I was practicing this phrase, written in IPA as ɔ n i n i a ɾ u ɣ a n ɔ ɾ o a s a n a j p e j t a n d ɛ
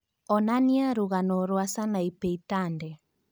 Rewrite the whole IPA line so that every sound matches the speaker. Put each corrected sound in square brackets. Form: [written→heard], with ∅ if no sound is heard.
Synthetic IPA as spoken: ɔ n [i→a] n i a ɾ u ɣ a n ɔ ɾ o a s a n a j p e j t a n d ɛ